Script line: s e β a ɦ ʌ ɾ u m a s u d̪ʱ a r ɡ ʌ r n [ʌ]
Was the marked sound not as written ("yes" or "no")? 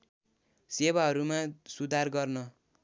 no